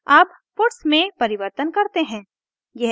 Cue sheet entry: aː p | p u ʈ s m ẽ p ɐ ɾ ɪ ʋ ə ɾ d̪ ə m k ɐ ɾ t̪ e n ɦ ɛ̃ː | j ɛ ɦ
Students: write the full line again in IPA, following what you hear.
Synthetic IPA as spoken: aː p | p ʊ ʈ s m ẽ p ɐ ɾ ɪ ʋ ə ɾ t̪ ə n k ɐ ɾ t̪ e ɦ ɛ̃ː | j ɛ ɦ